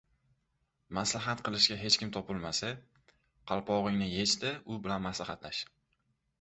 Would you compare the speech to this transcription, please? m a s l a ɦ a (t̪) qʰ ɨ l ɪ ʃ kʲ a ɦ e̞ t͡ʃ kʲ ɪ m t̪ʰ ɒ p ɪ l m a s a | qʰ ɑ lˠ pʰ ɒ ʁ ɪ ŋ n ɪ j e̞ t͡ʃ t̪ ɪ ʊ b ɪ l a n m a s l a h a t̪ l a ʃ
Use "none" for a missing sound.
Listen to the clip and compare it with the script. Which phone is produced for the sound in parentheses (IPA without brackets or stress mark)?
t̪